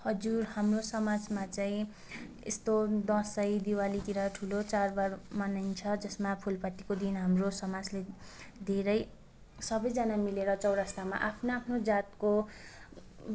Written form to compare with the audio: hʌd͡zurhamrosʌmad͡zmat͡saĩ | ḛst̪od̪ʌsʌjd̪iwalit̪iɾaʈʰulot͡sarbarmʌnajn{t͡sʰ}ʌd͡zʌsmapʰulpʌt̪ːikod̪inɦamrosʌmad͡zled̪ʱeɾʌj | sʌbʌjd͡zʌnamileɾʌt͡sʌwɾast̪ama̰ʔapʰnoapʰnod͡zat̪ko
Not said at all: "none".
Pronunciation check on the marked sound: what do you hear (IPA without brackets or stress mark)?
t͡sʰ